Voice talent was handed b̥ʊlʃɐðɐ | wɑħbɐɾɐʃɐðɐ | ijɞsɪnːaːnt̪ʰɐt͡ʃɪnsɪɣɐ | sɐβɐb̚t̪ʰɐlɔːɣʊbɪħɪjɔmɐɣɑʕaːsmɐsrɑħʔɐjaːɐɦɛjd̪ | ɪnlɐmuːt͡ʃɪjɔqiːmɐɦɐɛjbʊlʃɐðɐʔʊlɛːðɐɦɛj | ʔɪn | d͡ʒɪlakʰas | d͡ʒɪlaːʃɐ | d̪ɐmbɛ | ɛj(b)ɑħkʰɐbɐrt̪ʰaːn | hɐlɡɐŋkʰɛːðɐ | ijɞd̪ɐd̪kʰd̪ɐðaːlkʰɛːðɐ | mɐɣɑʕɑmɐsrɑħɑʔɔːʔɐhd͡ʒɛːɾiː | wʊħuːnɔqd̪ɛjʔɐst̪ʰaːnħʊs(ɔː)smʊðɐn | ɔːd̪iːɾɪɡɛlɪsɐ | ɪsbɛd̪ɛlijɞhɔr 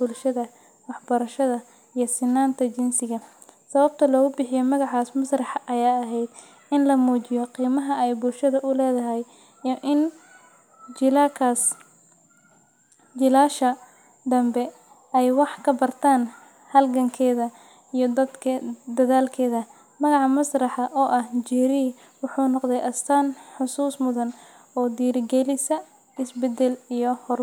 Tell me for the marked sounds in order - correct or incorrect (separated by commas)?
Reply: incorrect, incorrect